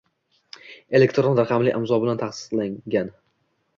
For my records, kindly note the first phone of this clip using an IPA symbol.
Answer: e̞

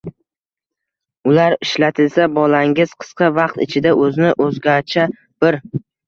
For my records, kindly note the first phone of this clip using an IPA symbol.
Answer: ʊ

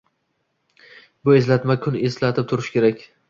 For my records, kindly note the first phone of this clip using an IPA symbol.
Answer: b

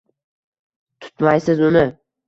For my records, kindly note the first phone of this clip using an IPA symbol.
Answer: t̪ʰ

